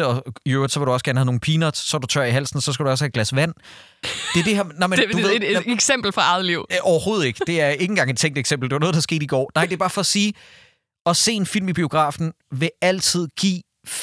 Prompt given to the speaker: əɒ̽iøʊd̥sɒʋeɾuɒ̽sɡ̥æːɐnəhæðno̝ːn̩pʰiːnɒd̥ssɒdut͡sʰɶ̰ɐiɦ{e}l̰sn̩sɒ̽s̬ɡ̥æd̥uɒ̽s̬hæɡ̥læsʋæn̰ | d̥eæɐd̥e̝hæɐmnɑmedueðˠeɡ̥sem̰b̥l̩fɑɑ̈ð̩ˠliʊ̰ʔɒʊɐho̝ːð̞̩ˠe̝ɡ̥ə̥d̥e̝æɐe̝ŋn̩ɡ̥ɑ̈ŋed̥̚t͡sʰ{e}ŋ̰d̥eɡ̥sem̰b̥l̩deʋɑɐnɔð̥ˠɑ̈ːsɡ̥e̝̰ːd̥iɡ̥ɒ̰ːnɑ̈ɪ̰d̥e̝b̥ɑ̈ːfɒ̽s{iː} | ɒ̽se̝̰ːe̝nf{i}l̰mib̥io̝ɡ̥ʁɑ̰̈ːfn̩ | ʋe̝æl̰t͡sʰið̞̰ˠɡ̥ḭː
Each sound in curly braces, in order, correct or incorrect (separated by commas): incorrect, correct, correct, correct